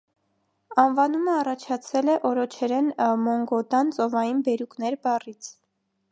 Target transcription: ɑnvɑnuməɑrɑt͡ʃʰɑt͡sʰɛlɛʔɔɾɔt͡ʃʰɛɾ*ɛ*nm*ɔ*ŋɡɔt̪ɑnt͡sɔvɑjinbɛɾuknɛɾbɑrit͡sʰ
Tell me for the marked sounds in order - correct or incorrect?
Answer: correct, correct

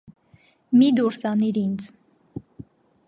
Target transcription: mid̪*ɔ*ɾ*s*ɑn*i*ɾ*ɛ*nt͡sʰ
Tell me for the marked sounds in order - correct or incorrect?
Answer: incorrect: u, correct, correct, incorrect: i

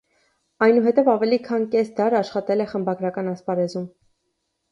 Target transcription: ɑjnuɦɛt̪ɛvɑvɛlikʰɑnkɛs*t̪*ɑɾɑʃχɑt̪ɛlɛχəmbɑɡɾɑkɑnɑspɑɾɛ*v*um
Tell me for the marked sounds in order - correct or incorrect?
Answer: incorrect: d̪, incorrect: z

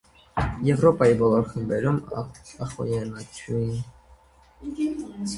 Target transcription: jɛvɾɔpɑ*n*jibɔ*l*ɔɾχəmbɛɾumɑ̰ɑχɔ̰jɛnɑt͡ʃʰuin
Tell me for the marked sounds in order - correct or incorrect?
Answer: incorrect: none, correct

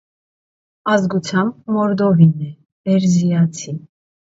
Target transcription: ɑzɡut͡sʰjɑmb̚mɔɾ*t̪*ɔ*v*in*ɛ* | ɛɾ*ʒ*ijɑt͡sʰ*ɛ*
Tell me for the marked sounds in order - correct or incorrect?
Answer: incorrect: d̪, correct, correct, incorrect: z, incorrect: i

